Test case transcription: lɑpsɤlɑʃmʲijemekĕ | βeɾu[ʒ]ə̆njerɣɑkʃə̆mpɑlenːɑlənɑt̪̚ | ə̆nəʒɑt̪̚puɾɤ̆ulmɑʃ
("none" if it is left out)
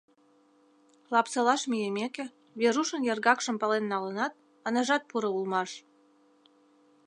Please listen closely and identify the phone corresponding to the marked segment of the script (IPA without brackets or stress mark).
ʃ